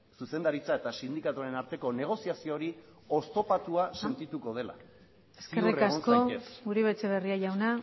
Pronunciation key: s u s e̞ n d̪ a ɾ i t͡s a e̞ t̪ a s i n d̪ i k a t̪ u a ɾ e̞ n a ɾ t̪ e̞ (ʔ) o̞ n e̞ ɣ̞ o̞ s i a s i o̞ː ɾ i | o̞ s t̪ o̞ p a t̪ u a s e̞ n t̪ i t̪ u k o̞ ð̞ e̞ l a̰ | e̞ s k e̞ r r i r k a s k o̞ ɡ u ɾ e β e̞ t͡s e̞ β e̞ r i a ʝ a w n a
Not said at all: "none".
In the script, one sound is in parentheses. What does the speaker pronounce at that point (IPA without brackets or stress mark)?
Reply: k